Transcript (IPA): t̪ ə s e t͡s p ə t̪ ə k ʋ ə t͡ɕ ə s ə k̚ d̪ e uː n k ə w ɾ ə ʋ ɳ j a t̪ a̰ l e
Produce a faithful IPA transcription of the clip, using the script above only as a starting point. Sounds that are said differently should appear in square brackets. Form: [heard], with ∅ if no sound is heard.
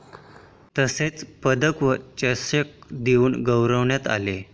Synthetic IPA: t̪ ə s e t͡s p ə [d̪] ə k ʋ ə t͡ɕ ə s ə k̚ d̪ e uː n [ɡ] ə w ɾ ə ʋ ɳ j a t̪ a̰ l e